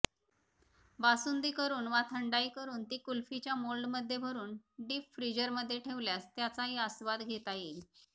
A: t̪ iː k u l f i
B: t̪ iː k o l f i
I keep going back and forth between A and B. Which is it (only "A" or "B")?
A